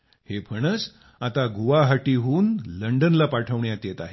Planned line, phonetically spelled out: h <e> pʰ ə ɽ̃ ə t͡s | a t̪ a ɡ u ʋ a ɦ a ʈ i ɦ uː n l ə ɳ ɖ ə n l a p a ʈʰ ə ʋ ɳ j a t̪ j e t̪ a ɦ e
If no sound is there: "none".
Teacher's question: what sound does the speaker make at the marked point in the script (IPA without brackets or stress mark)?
e